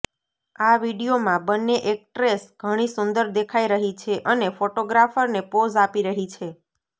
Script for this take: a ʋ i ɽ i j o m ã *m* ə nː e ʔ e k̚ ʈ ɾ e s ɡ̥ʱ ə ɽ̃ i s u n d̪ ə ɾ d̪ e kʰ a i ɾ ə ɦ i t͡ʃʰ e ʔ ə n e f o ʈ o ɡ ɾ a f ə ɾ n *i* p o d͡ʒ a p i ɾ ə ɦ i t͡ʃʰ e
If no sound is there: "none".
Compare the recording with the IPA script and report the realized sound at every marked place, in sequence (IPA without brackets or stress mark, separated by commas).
b, e